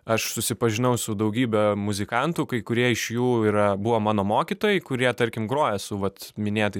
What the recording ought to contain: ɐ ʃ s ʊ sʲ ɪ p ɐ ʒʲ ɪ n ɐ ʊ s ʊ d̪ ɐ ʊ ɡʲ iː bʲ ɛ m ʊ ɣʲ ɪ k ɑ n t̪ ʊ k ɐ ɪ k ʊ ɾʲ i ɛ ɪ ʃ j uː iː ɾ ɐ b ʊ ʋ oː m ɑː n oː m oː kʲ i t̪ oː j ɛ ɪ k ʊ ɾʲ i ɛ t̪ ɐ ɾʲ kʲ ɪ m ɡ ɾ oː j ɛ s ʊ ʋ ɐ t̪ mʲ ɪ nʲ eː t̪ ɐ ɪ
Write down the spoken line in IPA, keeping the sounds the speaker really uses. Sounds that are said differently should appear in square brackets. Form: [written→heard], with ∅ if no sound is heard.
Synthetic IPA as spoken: ɐ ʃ s ʊ sʲ ɪ p ɐ ʒʲ ɪ n ɐ ʊ s ʊ d̪ ɐ ʊ ɡʲ iː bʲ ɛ m ʊ [ɣʲ→zʲ] ɪ k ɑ n t̪ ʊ k ɐ ɪ k ʊ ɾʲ i ɛ ɪ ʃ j uː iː ɾ ɐ b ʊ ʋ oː m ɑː n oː m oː kʲ i t̪ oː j ɛ ɪ k ʊ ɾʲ i ɛ t̪ ɐ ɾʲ kʲ ɪ m ɡ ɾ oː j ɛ s ʊ ʋ ɐ t̪ mʲ ɪ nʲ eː t̪ ɐ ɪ

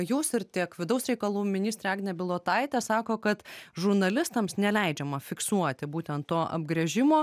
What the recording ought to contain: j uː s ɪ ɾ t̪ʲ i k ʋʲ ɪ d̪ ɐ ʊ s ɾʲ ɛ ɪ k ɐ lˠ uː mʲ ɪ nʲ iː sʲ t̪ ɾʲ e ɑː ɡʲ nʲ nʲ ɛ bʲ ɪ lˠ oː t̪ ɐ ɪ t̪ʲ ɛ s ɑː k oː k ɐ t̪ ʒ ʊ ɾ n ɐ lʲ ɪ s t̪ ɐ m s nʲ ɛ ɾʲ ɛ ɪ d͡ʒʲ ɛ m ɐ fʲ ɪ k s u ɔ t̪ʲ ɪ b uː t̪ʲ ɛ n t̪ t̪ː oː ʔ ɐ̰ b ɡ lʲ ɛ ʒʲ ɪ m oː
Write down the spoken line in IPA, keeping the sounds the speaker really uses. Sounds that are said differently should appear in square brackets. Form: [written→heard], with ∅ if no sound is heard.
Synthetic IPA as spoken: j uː s ɪ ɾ t̪ʲ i k ʋʲ ɪ d̪ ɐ ʊ s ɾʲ ɛ ɪ k ɐ lˠ uː mʲ ɪ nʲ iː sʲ t̪ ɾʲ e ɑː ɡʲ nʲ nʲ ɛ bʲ ɪ lˠ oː t̪ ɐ ɪ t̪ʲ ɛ s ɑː k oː k ɐ t̪ ʒ ʊ ɾ n ɐ lʲ ɪ s t̪ ɐ m s nʲ ɛ [ɾʲ→lʲ] ɛ ɪ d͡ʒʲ ɛ m ɐ fʲ ɪ k s u ɔ t̪ʲ ɪ b uː t̪ʲ ɛ n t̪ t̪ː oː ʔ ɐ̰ b ɡ [lʲ→ɾʲ] ɛ ʒʲ ɪ m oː

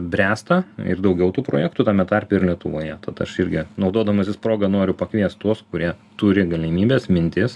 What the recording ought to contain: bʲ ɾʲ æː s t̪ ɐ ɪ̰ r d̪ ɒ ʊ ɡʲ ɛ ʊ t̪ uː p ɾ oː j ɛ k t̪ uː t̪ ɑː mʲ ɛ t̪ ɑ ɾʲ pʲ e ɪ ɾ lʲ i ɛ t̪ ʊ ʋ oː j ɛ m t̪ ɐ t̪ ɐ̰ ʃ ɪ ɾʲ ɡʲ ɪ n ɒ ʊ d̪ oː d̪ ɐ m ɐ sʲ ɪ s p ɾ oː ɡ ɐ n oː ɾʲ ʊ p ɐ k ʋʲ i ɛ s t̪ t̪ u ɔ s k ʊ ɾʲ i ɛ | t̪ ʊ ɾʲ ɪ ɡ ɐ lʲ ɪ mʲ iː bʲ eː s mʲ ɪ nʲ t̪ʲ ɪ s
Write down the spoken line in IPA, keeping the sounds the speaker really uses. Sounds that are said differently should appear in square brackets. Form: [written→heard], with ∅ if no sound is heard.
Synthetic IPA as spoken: bʲ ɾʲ æː s t̪ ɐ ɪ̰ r d̪ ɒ ʊ ɡʲ ɛ ʊ t̪ uː p ɾ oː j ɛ k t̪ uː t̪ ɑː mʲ ɛ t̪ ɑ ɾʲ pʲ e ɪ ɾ lʲ i ɛ t̪ ʊ ʋ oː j ɛ [m→∅] t̪ ɐ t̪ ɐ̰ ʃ ɪ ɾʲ ɡʲ ɪ n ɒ ʊ d̪ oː d̪ ɐ m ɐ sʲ ɪ s p ɾ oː ɡ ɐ n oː ɾʲ ʊ p ɐ k ʋʲ i ɛ s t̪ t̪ u ɔ s k ʊ ɾʲ i ɛ | t̪ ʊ ɾʲ ɪ ɡ ɐ lʲ ɪ mʲ iː bʲ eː s mʲ ɪ nʲ t̪ʲ ɪ s

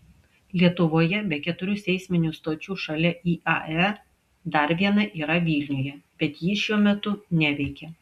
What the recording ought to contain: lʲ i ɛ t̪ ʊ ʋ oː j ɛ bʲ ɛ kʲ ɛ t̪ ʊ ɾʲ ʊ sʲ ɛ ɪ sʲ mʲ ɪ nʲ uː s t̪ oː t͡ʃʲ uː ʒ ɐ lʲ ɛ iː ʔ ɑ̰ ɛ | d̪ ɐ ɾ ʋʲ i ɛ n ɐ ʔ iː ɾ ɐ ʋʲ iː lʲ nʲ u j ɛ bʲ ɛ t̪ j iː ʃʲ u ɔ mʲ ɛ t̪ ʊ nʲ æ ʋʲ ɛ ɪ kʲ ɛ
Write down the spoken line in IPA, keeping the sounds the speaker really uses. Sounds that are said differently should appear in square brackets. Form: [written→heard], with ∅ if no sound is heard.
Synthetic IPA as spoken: lʲ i ɛ t̪ ʊ ʋ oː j ɛ bʲ ɛ kʲ ɛ t̪ ʊ ɾʲ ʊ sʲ ɛ ɪ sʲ mʲ ɪ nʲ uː s t̪ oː t͡ʃʲ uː [ʒ→ʃ] ɐ lʲ ɛ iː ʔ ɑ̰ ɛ | d̪ ɐ ɾ ʋʲ i ɛ n ɐ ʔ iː ɾ ɐ ʋʲ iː lʲ nʲ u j ɛ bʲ ɛ t̪ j iː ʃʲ u ɔ mʲ ɛ t̪ ʊ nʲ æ ʋʲ ɛ ɪ kʲ ɛ

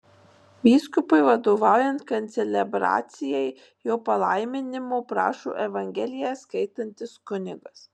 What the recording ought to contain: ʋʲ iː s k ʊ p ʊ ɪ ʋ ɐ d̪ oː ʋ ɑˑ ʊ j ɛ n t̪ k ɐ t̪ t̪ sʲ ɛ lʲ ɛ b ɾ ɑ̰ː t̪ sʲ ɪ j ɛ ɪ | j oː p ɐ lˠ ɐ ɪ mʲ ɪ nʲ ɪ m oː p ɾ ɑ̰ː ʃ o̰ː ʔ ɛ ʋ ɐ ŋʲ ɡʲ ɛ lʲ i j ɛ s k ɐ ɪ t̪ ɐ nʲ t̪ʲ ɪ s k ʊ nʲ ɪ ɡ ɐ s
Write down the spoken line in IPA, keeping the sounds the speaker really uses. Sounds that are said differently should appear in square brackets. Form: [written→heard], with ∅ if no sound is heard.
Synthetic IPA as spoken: ʋʲ iː s k ʊ p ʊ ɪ ʋ ɐ d̪ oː ʋ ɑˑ ʊ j ɛ n t̪ k ɐ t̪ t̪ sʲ ɛ lʲ ɛ b ɾ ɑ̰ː t̪ sʲ ɪ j ɛ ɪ | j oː p ɐ lˠ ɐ ɪ mʲ ɪ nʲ ɪ m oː p ɾ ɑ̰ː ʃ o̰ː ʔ ɛ ʋ ɐ ŋʲ ɡʲ ɛ lʲ [i→ɪ] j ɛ s k ɐ ɪ t̪ ɐ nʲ t̪ʲ ɪ s k ʊ nʲ ɪ ɡ ɐ s

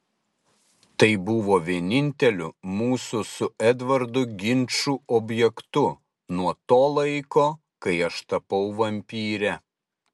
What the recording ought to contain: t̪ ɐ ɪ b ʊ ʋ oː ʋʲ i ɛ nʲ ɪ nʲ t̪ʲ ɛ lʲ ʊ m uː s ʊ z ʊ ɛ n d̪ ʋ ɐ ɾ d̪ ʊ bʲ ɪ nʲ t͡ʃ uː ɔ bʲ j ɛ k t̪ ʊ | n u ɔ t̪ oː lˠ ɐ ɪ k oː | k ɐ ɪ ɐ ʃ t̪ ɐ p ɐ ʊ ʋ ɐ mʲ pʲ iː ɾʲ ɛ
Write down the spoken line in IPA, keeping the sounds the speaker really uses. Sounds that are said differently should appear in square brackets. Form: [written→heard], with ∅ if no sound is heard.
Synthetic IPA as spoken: t̪ ɐ ɪ b ʊ ʋ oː ʋʲ i ɛ nʲ ɪ nʲ t̪ʲ ɛ lʲ ʊ m uː s ʊ [z→s] ʊ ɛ [n→∅] d̪ ʋ ɐ ɾ d̪ ʊ [bʲ→ɡʲ] ɪ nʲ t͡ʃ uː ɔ bʲ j ɛ k t̪ ʊ | n u ɔ t̪ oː lˠ ɐ ɪ k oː | k ɐ ɪ ɐ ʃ t̪ ɐ p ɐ ʊ ʋ ɐ mʲ pʲ iː ɾʲ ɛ

